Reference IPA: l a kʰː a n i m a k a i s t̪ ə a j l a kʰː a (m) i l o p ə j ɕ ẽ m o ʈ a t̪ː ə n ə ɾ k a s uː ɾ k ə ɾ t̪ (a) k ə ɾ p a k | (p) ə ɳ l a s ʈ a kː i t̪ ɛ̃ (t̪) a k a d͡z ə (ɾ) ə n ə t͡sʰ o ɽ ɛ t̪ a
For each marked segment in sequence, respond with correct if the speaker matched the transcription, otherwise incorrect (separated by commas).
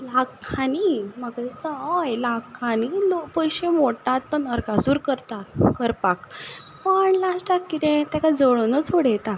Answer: incorrect, correct, correct, correct, incorrect